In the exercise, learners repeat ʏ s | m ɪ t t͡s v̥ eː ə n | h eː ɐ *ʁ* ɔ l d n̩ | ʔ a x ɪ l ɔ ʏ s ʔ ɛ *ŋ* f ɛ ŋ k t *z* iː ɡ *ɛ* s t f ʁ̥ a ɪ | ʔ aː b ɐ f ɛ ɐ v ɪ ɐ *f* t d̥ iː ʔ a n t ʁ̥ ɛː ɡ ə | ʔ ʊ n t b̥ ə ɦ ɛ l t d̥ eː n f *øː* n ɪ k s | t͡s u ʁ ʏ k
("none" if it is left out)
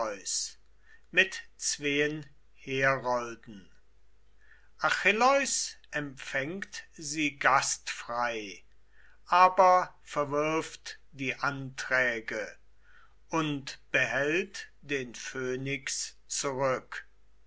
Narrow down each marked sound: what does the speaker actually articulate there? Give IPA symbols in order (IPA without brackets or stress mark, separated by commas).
ʁ, m, z, a, f, øː